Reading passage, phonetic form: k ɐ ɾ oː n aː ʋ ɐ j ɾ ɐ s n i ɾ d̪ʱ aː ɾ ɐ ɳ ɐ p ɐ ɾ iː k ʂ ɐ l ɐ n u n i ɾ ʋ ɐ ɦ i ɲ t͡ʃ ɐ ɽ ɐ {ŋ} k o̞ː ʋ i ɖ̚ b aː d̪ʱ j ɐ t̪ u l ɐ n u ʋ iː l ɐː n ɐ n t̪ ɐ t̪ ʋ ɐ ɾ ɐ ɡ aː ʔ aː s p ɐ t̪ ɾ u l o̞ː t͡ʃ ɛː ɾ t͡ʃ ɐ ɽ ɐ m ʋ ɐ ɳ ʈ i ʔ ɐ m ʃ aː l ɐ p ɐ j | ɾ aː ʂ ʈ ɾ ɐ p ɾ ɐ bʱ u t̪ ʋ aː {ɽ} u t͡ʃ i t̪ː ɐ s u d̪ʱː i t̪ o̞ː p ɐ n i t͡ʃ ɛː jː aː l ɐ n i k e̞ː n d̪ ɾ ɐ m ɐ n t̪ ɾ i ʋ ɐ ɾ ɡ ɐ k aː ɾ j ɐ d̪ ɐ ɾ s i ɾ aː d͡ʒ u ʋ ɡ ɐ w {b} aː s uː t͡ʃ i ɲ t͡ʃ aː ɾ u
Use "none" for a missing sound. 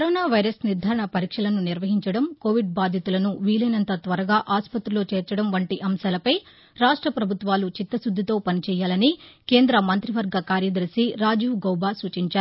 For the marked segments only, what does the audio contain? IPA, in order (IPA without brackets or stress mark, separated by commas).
m, l, b